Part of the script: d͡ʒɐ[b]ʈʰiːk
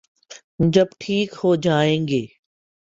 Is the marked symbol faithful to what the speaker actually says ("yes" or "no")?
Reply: yes